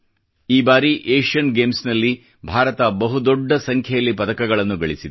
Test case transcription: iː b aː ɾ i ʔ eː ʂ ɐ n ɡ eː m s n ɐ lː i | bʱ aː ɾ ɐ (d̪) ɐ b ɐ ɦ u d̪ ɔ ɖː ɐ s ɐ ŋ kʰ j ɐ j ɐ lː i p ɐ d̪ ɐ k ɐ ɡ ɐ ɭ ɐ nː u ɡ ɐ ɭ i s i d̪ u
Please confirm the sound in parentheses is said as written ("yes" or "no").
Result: no